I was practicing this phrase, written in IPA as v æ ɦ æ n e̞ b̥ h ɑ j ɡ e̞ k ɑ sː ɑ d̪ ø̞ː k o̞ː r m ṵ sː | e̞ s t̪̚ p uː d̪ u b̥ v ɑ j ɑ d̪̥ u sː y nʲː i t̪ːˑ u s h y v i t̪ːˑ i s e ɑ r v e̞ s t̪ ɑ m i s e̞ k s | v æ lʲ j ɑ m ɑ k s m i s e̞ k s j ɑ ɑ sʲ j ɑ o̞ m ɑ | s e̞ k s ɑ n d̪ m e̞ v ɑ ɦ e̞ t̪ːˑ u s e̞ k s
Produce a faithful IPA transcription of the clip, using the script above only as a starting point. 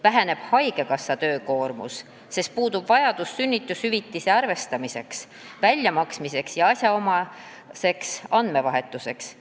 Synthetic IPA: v æ ɦ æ n e̞ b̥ h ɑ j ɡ e̞ k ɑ sː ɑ t̪ ø̞ː k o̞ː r m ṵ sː | e̞ s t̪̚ p uː d̪ u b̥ v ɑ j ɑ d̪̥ u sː y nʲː i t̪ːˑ u s h y v i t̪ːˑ i s e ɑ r v e̞ s t̪ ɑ m i s e̞ k s | v æ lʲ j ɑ m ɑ k s m i s e̞ k s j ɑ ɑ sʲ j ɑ o̞ m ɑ | s e̞ k s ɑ n d̪ m e̞ v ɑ ɦ e̞ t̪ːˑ u s e̞ k s